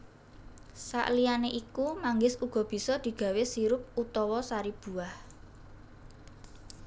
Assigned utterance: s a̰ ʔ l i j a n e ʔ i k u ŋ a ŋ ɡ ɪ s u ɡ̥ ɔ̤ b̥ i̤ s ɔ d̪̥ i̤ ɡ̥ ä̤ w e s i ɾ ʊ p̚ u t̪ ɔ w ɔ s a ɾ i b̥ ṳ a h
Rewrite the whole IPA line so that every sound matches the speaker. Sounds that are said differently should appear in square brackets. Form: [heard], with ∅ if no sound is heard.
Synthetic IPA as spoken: s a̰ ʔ l i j a n e ʔ i k u [m] a ŋ ɡ ɪ s u ɡ̥ ɔ̤ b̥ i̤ s ɔ d̪̥ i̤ ɡ̥ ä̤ w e s i ɾ ʊ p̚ u t̪ ɔ w ɔ s a ɾ i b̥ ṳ a h

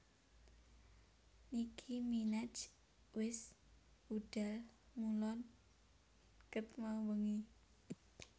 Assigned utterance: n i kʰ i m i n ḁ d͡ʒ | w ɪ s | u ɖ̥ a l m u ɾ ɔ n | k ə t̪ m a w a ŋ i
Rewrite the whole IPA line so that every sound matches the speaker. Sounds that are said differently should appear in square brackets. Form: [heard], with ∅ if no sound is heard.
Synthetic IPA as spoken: n i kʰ i m i n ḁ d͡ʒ | w ɪ s | u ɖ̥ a l m u [l] ɔ n | k ə t̪ m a w [ə] ŋ i

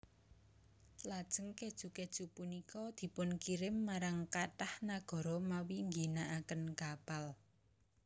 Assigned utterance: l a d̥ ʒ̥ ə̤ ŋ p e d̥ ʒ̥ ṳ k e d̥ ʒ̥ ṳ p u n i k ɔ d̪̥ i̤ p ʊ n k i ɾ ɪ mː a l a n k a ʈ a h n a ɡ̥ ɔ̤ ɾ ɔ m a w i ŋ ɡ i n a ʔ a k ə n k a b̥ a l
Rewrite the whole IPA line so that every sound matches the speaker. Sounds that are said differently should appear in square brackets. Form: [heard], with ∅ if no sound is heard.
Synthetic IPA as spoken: l a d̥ ʒ̥ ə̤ ŋ [k] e d̥ ʒ̥ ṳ k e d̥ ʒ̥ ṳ p u n i k ɔ d̪̥ i̤ p ʊ n k i ɾ ɪ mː a [ɾ] a [ŋ] k a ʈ a h n a ɡ̥ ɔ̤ ɾ ɔ m a w i ŋ ɡ i n a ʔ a k ə n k a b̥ a l

